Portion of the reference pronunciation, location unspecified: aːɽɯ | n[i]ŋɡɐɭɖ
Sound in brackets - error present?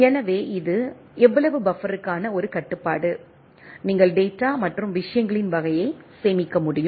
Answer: yes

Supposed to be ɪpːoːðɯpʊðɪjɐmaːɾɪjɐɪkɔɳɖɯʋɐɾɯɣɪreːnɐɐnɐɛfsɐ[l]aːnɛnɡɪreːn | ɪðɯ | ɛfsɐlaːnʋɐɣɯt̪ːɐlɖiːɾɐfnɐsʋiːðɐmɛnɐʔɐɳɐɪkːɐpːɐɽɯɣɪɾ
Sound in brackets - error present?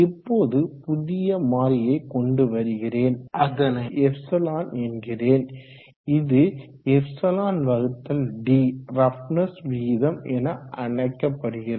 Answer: no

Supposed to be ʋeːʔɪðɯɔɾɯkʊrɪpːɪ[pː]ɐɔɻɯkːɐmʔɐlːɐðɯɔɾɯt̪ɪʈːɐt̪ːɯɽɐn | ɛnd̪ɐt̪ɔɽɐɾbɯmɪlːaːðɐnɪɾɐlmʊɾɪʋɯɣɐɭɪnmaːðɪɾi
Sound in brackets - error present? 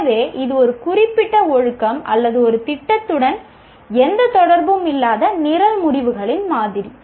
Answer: yes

